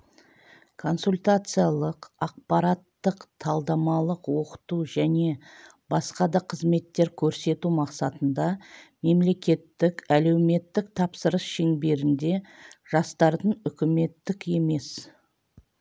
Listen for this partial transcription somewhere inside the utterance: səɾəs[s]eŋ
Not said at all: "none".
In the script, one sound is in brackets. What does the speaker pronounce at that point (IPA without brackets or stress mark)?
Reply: ʃ